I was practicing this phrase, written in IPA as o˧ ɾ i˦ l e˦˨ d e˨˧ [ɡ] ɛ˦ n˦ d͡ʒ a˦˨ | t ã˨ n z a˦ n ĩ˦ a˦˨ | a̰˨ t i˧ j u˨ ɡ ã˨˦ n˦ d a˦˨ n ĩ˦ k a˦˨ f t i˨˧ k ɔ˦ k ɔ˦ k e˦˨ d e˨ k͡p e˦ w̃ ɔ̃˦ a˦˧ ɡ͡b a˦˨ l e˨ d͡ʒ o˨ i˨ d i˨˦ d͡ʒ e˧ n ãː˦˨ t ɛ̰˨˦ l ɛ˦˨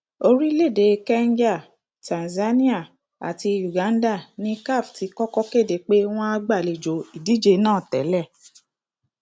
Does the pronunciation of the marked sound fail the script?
yes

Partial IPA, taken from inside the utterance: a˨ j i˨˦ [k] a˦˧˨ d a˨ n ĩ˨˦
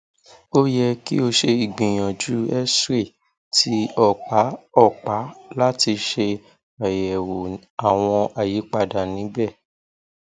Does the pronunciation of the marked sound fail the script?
yes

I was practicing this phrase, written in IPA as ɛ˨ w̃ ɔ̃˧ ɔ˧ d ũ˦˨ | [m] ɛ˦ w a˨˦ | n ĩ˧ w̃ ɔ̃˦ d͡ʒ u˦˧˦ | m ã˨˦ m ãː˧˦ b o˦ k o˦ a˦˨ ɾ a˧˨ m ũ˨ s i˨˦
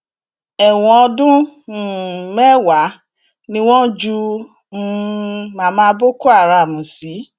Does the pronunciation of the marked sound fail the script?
no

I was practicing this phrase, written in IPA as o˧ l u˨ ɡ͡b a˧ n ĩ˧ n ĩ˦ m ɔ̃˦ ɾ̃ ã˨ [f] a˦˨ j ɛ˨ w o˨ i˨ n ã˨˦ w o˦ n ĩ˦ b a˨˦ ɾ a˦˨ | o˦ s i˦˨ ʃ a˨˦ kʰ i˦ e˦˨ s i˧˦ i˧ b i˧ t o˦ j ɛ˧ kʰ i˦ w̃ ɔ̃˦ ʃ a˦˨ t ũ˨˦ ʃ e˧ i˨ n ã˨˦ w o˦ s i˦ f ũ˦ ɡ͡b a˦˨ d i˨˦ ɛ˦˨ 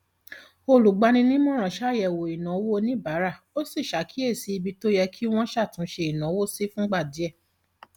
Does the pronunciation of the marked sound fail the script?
yes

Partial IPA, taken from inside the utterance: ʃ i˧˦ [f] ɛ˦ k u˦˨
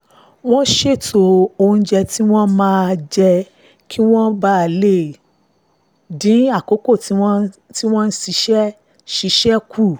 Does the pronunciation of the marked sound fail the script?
yes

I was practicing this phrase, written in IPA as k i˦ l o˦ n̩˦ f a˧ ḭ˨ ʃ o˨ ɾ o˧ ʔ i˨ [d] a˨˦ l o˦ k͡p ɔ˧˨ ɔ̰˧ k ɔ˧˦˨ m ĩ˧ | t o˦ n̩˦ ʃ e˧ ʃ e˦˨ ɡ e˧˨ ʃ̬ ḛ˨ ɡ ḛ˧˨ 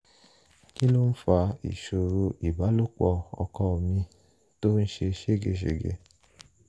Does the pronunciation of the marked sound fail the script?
yes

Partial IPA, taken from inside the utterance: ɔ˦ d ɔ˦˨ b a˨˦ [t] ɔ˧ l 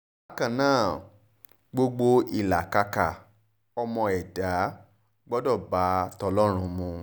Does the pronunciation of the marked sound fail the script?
no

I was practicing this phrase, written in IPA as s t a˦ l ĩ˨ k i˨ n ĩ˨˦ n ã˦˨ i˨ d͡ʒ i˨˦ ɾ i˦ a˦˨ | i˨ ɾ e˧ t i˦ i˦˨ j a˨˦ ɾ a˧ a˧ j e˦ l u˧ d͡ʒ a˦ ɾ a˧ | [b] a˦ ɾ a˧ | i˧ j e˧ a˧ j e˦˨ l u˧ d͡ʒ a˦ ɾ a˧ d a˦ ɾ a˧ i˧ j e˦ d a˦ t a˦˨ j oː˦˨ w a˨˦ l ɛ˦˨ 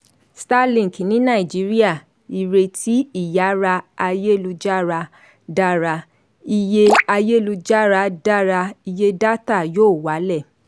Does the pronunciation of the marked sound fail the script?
yes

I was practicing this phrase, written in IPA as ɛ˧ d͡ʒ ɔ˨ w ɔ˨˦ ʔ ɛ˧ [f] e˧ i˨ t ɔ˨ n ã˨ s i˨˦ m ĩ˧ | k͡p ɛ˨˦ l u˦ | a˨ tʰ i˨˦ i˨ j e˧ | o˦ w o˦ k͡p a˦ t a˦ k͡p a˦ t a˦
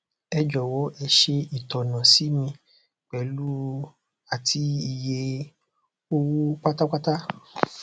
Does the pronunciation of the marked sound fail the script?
yes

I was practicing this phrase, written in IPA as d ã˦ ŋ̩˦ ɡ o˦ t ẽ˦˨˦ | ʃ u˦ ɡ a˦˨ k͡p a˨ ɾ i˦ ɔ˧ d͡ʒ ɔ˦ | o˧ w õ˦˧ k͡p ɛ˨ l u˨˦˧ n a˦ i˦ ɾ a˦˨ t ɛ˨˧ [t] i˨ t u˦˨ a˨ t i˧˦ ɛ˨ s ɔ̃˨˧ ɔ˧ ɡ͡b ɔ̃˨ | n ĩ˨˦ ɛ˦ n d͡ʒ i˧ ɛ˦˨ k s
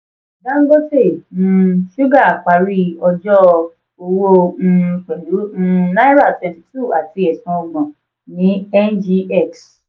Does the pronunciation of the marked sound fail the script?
no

